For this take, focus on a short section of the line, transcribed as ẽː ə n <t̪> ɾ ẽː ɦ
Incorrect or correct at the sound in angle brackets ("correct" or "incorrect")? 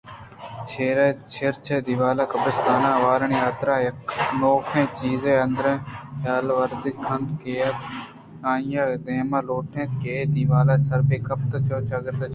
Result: incorrect